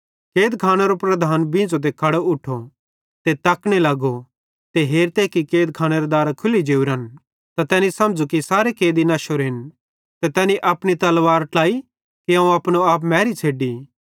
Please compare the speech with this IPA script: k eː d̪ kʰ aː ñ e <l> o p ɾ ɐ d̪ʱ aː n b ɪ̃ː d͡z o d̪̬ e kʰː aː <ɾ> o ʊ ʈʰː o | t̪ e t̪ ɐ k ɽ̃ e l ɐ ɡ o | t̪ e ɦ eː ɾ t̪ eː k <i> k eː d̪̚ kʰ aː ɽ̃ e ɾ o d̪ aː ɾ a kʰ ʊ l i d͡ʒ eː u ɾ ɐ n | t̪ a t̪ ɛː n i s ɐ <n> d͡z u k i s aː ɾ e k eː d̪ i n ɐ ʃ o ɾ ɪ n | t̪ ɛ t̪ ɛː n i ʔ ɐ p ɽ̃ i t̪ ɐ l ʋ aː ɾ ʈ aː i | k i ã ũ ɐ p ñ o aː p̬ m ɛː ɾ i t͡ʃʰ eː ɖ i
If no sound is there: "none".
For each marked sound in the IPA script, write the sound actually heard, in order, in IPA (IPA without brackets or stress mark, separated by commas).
ɾ, ɽ, i, m